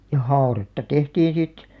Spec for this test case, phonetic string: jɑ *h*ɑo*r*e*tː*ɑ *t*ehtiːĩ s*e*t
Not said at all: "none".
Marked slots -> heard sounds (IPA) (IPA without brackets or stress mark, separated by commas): h, r, tː, t, i